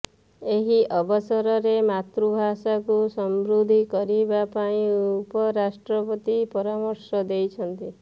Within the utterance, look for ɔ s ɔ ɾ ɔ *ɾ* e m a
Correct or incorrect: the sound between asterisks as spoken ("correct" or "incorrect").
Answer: correct